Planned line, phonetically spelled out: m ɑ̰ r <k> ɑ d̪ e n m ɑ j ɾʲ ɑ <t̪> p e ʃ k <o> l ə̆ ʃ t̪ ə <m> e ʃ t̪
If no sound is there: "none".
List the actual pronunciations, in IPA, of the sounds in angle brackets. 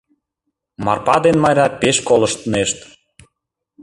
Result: p, none, o, n

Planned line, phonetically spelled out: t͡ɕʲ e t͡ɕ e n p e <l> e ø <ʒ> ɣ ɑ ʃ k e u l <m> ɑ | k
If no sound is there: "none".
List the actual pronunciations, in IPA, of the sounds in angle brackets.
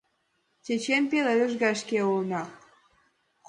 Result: l, ʒ, n

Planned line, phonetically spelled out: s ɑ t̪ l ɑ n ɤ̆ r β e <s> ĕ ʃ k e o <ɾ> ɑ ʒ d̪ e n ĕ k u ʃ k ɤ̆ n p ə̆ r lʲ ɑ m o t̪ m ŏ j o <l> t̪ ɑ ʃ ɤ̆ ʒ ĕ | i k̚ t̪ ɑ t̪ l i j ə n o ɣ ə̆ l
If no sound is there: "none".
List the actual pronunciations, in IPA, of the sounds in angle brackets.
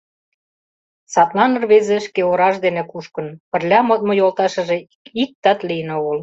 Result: z, ɾ, l

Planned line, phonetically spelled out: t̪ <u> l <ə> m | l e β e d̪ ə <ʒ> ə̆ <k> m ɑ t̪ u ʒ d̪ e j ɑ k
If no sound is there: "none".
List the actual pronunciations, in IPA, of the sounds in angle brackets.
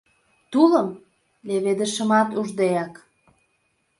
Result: u, ə, ʃ, none

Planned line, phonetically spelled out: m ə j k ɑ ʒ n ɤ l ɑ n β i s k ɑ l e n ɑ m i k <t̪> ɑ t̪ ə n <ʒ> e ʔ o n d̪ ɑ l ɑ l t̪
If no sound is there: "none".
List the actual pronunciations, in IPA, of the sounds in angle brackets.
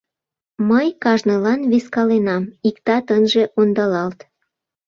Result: t̪, ʒ

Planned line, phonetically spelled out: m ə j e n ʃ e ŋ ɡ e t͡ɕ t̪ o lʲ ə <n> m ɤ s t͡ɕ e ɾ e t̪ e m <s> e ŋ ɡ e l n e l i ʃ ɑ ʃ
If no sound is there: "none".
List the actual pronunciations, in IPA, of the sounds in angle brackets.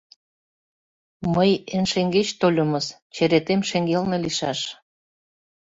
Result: none, ʃ

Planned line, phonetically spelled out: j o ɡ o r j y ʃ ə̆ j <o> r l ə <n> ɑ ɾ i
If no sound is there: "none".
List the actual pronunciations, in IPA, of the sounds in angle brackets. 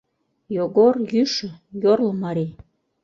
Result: o, m

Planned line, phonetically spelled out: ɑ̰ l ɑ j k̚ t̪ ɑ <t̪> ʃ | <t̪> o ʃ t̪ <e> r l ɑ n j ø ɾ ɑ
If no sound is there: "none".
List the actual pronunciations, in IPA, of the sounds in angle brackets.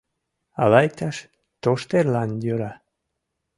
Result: none, t̪, e

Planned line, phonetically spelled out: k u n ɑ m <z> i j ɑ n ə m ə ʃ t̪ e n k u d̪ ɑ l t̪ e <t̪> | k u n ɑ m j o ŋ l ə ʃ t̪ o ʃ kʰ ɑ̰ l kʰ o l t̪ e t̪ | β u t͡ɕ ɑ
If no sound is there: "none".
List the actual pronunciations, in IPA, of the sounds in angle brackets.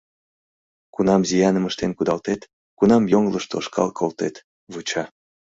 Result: z, t̪

